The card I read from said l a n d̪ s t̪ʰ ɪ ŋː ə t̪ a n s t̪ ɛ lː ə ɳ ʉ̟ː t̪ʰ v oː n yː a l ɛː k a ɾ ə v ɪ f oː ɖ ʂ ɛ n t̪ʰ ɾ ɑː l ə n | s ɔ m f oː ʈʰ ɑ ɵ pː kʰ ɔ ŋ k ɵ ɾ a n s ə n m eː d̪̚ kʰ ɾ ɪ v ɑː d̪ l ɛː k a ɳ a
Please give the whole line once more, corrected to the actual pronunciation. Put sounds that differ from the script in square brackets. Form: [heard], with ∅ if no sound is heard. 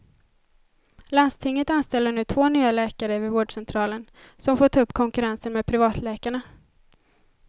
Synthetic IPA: l a n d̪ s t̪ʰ ɪ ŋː ə t̪ a n s t̪ ɛ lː ə ɳ ʉ̟ː t̪ʰ v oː n yː a l ɛː k a ɾ ə v ɪ [v] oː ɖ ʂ ɛ n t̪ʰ ɾ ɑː l ə n | s ɔ m f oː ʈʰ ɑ ɵ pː kʰ ɔ ŋ k ɵ ɾ a n s ə n m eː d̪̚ [pʰ] ɾ ɪ v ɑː [t̪] l ɛː k a ɳ a